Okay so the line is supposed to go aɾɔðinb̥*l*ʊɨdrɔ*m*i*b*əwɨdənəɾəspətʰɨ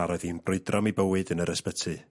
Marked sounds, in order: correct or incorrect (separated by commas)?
incorrect, correct, correct